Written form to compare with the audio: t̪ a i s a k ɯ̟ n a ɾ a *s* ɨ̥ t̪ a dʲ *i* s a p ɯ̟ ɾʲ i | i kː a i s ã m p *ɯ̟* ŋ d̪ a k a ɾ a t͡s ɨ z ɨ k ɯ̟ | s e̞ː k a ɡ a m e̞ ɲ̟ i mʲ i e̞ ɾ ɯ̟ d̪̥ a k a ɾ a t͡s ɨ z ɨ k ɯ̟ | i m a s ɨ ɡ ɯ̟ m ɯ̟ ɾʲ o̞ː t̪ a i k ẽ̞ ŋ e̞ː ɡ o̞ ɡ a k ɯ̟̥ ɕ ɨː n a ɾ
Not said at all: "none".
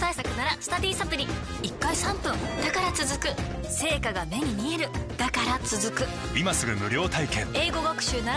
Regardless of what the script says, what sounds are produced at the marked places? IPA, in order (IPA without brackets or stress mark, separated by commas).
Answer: s, iː, ɯ̟̃